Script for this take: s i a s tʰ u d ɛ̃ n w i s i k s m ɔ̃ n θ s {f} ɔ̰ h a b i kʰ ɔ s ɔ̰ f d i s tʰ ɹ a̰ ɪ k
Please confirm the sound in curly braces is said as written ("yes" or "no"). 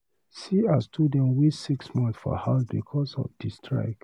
yes